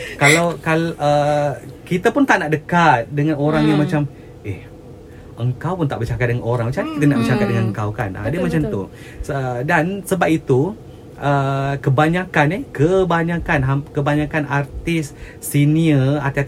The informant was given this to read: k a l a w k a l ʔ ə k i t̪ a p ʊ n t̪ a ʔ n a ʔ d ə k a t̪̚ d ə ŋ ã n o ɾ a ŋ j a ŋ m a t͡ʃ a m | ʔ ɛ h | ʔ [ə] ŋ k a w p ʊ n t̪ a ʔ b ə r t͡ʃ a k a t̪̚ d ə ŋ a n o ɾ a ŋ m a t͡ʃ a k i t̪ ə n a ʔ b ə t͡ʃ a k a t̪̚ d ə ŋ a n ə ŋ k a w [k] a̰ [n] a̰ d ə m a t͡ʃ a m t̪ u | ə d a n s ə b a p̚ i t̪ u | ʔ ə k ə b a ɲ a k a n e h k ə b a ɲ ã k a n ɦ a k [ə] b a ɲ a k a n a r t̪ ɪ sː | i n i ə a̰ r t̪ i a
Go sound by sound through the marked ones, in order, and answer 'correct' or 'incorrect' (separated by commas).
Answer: correct, correct, correct, correct